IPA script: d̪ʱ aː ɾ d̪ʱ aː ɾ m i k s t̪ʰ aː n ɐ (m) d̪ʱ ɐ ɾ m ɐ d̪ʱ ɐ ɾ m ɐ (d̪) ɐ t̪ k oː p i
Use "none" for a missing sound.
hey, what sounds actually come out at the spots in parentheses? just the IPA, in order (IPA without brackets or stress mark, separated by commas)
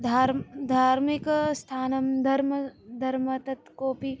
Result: m, t̪